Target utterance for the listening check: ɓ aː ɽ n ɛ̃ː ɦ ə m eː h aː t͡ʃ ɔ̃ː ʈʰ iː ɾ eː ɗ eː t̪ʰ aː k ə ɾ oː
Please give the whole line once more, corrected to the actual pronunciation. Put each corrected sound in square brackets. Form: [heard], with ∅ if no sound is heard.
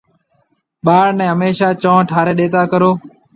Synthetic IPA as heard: ɓ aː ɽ n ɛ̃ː ɦ ə m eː [ʃ] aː t͡ʃ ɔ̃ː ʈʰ [aː] ɾ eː ɗ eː [t̪] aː k ə ɾ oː